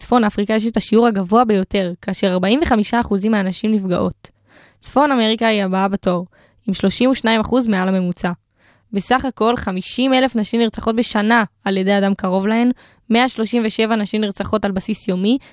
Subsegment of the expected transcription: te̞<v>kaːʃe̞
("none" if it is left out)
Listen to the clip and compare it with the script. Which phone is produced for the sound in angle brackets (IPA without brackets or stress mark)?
ʁ